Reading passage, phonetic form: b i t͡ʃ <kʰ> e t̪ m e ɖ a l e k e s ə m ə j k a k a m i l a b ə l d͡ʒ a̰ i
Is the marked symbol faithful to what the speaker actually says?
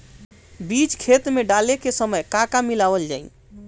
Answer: yes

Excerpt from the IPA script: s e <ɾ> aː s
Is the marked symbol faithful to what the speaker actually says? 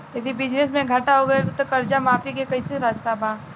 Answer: yes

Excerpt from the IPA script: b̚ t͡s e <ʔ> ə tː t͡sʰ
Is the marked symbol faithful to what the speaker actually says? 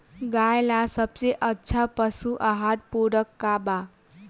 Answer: yes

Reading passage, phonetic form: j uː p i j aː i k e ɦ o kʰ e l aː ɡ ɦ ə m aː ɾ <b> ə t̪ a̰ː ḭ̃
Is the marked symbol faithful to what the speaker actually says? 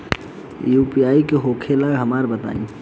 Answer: yes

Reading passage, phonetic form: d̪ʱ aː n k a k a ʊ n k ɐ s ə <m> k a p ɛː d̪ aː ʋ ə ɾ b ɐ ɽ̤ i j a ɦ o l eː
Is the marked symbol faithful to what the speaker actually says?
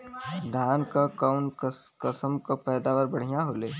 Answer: yes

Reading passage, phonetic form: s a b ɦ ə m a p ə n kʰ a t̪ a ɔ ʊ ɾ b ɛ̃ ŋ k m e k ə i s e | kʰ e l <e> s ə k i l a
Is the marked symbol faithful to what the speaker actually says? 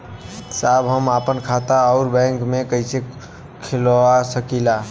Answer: no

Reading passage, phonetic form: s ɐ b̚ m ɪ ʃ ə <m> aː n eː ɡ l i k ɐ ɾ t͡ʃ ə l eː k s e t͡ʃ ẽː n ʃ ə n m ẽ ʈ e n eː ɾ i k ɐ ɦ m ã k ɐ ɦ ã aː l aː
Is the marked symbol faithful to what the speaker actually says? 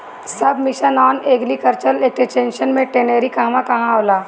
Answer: no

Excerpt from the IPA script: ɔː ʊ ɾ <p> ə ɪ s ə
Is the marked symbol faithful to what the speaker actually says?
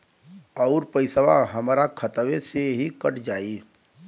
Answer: yes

